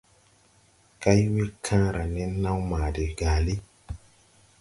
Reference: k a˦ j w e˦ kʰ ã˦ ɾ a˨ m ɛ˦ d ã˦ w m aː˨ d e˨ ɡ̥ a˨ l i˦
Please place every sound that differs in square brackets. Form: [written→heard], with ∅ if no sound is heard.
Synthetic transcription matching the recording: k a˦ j w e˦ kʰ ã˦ ɾ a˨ [m→n] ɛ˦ [d→n] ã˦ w m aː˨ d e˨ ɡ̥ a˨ l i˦